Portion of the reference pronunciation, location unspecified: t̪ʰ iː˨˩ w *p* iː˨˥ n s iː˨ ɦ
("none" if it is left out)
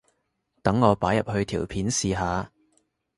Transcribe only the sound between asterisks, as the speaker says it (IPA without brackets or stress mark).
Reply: pʰ